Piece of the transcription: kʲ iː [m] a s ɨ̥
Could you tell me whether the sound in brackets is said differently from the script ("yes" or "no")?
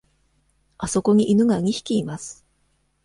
no